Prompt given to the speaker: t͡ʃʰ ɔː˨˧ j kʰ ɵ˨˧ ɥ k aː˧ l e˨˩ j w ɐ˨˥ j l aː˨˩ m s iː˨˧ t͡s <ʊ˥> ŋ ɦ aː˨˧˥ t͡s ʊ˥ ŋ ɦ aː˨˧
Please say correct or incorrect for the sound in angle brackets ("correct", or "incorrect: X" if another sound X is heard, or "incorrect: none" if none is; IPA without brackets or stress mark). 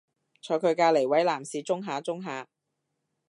correct